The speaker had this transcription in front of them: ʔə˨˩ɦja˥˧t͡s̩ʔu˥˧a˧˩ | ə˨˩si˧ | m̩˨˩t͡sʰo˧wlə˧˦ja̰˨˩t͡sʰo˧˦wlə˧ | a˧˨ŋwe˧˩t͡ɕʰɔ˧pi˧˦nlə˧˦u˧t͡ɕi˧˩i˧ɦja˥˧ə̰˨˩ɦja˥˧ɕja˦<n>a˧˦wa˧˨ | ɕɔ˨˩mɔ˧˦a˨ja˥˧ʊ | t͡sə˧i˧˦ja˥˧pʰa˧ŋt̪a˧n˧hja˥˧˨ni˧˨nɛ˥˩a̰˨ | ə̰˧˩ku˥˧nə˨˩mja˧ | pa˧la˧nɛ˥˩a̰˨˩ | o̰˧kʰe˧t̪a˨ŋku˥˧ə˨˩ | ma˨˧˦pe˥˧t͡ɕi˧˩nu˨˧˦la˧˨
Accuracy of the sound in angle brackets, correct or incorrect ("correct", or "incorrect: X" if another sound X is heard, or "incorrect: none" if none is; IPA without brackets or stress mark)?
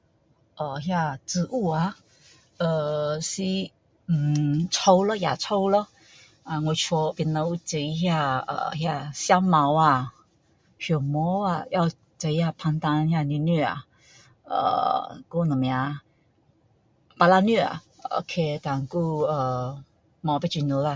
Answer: incorrect: m